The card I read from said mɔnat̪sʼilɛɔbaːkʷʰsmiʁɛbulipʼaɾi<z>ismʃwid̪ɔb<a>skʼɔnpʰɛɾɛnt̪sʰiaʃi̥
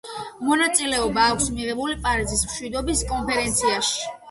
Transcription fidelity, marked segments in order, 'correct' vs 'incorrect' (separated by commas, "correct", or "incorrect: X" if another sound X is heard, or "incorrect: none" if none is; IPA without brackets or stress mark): correct, incorrect: i